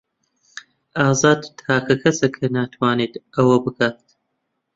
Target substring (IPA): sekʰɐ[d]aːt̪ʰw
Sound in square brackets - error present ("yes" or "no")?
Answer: yes